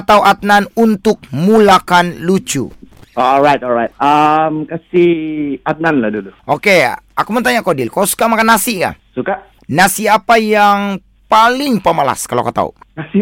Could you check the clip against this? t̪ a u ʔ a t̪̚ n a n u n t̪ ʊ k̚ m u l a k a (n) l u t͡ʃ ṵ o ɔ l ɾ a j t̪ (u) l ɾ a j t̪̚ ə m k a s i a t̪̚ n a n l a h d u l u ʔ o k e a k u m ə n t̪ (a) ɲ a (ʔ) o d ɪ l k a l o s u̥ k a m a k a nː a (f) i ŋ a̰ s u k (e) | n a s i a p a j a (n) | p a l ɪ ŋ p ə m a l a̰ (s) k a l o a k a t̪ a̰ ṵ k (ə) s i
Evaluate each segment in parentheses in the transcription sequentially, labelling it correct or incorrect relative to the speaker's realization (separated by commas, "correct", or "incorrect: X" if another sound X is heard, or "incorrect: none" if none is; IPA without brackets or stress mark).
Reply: correct, incorrect: ɔ, correct, incorrect: k, incorrect: s, incorrect: a, incorrect: ŋ, correct, incorrect: a